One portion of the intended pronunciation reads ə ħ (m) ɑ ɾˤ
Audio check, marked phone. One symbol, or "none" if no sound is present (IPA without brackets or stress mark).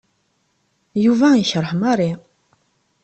m